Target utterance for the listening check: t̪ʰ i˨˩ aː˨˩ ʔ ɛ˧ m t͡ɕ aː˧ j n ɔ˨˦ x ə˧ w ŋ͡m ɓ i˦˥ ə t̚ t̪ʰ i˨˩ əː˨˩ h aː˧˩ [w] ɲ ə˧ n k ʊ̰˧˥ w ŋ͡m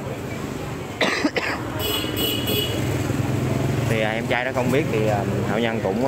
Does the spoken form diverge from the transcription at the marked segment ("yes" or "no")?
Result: no